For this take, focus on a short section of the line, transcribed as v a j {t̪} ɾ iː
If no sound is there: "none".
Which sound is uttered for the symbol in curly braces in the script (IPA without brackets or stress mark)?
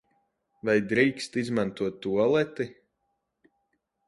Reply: d̪